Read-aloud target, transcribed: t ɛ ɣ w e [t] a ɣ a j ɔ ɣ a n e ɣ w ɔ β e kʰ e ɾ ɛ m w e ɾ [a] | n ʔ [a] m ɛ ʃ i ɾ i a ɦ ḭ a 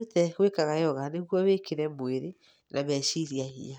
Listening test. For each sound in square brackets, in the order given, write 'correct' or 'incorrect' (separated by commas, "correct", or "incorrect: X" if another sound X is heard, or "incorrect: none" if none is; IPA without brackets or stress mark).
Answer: incorrect: k, incorrect: e, correct